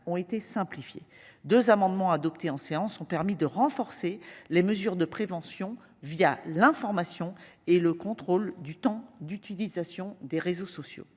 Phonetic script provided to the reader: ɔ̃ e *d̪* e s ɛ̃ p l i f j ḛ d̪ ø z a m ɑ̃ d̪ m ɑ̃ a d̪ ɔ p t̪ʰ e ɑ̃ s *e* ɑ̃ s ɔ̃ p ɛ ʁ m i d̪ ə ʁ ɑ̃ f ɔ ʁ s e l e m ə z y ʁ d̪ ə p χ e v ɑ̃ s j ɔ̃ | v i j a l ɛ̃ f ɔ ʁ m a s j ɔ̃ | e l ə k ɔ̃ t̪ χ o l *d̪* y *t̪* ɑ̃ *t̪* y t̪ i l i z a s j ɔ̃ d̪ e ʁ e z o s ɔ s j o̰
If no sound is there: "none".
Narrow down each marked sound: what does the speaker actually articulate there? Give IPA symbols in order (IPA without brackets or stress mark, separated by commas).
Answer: t̪, e, d̪, t̪, d̪